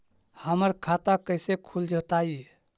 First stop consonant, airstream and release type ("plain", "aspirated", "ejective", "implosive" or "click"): aspirated